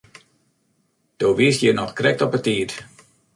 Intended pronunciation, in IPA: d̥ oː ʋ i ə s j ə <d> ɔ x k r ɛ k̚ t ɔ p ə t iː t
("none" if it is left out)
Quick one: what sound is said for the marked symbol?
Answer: n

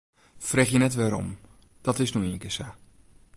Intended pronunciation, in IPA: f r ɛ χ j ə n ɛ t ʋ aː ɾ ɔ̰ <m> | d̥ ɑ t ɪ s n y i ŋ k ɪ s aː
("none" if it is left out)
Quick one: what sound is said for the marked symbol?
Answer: m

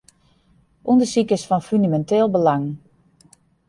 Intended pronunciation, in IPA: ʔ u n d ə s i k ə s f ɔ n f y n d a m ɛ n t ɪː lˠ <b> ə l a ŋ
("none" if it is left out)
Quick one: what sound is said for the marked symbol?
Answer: b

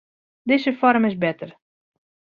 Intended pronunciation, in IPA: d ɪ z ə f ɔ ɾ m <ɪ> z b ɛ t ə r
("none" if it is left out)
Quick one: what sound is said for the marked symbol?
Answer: ɪ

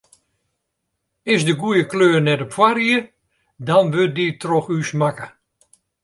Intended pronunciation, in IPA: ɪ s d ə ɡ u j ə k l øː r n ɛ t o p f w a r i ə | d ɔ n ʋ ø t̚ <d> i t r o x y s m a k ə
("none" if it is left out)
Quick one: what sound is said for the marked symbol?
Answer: d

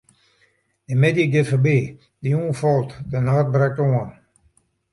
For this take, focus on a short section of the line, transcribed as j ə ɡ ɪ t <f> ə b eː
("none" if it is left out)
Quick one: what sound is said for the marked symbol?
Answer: f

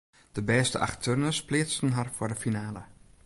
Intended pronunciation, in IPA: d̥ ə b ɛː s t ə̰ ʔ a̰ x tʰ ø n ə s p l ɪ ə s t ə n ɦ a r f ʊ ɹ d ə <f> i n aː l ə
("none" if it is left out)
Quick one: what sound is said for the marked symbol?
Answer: f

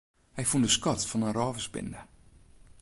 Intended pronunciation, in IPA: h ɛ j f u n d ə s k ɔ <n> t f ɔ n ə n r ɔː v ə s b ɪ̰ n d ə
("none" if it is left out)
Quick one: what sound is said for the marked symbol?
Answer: none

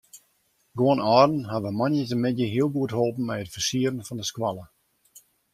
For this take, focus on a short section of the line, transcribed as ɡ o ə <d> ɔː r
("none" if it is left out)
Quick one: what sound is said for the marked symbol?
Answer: n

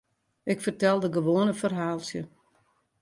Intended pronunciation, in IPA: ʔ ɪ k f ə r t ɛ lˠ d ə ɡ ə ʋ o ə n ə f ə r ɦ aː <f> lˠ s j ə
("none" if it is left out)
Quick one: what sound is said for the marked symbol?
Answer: none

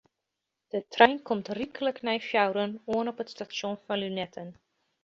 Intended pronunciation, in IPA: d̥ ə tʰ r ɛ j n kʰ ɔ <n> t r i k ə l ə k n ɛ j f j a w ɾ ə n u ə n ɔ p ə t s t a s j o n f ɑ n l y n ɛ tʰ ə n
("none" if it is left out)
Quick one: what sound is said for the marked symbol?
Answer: m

